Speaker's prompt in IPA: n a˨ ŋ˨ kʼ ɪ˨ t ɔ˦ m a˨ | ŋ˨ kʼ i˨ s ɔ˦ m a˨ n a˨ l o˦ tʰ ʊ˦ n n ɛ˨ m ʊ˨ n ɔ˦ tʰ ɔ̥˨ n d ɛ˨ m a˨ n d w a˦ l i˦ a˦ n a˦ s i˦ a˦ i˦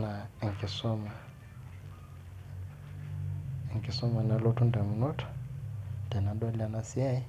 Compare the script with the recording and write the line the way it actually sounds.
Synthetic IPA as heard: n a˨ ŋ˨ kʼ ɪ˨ s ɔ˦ m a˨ | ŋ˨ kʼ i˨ s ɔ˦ m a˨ n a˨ l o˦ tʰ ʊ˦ n d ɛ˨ m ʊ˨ n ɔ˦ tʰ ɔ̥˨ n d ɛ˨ n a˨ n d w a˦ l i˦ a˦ n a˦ s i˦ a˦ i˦